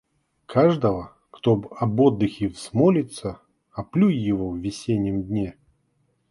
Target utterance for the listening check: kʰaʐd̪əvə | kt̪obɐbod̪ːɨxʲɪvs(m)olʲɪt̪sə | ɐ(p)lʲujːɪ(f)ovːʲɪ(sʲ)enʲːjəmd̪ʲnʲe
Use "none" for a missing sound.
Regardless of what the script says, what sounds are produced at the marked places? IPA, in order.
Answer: m, p, v, sʲ

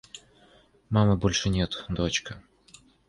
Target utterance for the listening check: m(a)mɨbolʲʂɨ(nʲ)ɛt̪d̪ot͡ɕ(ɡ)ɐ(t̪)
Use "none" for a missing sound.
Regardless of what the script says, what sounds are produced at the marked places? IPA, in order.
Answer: a, nʲ, k, none

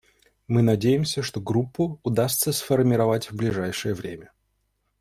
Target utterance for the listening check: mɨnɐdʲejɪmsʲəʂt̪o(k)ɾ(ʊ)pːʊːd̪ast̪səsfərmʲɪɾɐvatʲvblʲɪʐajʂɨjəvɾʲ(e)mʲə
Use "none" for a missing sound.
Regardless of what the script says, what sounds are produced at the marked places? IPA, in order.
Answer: ɡ, u, e

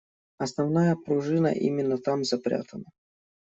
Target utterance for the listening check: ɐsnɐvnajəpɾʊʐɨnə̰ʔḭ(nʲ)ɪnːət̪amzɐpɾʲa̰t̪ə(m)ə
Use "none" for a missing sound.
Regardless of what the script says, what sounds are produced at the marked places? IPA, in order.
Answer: mʲ, n

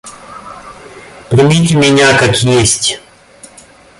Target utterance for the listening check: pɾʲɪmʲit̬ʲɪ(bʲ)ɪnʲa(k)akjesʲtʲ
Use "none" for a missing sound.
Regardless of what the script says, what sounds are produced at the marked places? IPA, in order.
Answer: mʲ, k

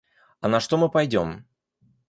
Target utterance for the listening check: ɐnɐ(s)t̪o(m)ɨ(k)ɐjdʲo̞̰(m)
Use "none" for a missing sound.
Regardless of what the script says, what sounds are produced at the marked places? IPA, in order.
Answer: ʂ, m, p, m

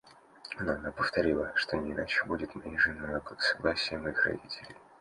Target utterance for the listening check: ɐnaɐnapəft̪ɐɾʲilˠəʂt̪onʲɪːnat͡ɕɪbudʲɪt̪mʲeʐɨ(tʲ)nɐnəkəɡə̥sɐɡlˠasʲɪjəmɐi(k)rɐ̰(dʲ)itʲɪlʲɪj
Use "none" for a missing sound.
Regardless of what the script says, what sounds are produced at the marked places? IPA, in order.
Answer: none, x, dʲ

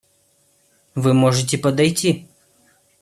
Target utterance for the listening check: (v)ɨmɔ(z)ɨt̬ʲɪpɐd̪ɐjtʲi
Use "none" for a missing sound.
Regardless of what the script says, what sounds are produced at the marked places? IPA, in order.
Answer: v, ʐ

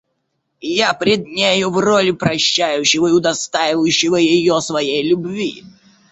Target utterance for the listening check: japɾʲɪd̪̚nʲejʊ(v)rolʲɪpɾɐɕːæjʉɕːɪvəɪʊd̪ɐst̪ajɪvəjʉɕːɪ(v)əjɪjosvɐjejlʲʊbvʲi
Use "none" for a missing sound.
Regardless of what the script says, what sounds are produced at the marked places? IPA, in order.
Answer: v, v

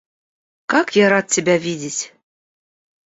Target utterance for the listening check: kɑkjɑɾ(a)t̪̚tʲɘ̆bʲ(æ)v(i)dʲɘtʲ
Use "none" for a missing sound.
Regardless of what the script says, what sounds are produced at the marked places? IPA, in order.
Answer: ɑ, æ, i

